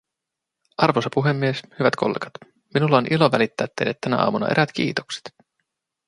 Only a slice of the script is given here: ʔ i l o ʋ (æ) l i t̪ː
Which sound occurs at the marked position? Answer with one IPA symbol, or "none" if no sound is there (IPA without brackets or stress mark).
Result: æ